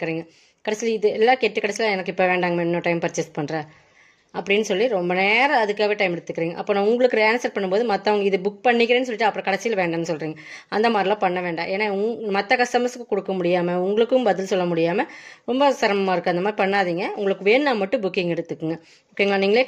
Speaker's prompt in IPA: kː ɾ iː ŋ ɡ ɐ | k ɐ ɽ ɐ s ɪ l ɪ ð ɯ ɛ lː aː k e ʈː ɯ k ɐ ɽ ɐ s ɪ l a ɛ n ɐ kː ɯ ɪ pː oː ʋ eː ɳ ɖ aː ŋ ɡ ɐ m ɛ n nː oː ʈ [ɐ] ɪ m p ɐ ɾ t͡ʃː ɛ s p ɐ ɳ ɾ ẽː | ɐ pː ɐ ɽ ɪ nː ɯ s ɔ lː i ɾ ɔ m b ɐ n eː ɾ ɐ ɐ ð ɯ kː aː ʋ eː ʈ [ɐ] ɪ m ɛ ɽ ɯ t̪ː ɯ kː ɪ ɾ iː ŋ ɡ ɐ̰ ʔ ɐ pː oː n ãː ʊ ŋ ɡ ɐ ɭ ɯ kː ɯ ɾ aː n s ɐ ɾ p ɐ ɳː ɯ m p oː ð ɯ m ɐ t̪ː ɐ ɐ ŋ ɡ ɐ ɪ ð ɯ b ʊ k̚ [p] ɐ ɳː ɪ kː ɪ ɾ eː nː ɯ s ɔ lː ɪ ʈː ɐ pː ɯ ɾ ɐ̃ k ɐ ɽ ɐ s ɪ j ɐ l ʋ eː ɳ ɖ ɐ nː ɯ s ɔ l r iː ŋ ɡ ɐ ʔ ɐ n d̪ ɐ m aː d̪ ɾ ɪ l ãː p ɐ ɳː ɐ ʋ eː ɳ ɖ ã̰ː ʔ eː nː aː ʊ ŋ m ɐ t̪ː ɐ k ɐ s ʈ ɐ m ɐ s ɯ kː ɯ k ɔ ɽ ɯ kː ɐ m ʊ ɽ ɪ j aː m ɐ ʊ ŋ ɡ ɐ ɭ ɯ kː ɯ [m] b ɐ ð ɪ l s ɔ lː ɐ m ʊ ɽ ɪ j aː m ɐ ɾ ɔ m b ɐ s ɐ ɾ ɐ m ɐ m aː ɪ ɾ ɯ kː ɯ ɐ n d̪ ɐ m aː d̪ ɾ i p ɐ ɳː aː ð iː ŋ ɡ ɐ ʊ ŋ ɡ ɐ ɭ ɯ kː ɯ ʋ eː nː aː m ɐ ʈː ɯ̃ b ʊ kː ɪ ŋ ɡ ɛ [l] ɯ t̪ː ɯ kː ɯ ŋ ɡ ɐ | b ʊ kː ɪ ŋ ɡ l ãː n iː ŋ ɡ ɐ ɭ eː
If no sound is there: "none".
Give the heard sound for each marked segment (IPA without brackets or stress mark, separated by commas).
ɐ, ɐ, p, m, ɽ